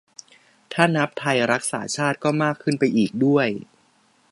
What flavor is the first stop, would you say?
aspirated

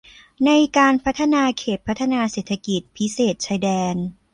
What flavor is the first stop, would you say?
plain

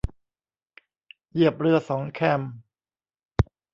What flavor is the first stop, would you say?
plain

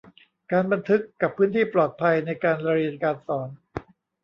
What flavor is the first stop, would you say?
plain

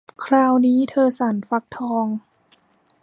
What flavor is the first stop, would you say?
aspirated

